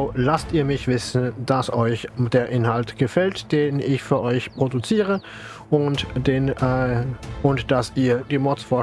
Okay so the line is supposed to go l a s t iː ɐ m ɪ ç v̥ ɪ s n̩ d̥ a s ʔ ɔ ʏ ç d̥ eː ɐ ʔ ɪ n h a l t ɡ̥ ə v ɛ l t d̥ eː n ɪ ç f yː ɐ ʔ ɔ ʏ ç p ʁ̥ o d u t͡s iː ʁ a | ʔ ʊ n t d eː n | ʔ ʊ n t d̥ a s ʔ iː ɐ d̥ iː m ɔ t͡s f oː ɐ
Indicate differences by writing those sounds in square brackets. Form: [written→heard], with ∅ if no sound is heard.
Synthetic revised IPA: l a s t iː ɐ m ɪ ç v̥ ɪ s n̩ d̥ a s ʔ ɔ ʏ ç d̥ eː ɐ ʔ ɪ n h a l t ɡ̥ ə [v→f] ɛ l t d̥ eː n ɪ ç f yː ɐ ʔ ɔ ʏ ç p ʁ̥ o d u t͡s iː ʁ [a→ə] | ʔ ʊ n t d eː n | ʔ ʊ n t d̥ a s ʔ iː ɐ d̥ iː m ɔ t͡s f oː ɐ